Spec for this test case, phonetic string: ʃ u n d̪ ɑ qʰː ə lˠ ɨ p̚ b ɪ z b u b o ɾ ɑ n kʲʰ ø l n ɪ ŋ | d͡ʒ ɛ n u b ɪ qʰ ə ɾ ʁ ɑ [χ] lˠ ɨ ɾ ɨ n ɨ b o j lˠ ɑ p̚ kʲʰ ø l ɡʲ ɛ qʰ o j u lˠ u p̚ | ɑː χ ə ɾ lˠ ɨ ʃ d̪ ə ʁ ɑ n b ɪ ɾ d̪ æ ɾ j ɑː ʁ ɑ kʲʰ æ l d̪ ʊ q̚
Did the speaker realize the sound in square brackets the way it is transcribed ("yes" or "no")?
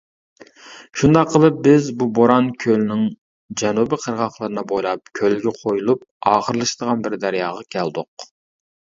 yes